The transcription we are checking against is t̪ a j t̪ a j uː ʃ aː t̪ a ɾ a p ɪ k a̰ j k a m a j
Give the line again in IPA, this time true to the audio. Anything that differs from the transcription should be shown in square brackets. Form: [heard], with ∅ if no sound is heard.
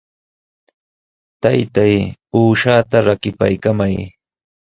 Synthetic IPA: t̪ a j t̪ a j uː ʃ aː t̪ a ɾ a [k] ɪ [p] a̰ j k a m a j